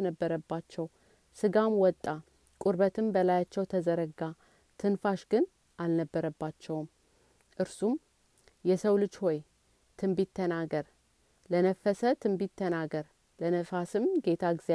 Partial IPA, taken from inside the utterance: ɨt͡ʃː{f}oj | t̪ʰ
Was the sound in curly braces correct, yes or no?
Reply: no